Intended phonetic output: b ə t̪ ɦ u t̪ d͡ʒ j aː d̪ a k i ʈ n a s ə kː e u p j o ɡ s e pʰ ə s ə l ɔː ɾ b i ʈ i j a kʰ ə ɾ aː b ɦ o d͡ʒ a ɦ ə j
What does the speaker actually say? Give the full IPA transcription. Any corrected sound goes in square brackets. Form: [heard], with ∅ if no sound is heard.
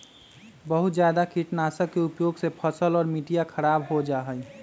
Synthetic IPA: b ə [∅] ɦ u t̪ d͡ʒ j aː d̪ a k i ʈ n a s ə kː e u p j o ɡ s e pʰ ə s ə l ɔː ɾ [m] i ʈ i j a kʰ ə ɾ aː b ɦ o d͡ʒ a ɦ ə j